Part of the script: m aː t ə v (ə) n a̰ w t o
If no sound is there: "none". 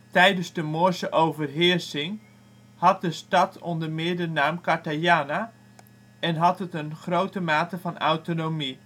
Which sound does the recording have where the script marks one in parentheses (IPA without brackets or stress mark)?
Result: ɑ